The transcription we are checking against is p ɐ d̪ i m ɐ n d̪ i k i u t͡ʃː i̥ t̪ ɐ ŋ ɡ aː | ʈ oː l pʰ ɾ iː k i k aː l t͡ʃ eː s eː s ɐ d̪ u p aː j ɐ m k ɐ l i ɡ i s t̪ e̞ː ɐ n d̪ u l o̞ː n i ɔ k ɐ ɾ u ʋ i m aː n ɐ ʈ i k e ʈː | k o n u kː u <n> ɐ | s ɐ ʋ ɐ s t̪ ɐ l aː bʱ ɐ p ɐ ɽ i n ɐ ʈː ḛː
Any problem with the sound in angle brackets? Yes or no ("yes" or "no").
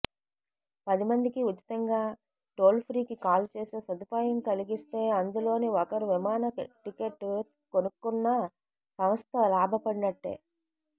yes